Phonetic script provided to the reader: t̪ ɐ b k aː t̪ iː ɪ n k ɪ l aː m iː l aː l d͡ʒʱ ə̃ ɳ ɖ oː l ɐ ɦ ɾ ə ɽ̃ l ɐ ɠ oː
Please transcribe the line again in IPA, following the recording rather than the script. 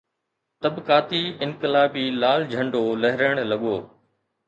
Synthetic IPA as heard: t̪ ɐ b k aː t̪ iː ɪ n k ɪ l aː b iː l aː l d͡ʒʱ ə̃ ɳ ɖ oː l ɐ ɦ ɾ ə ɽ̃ l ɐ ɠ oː